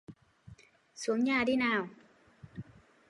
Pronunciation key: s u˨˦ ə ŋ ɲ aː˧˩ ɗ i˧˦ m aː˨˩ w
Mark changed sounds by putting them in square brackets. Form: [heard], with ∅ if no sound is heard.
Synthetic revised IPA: s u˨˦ ə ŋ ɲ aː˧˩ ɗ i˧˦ [n] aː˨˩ w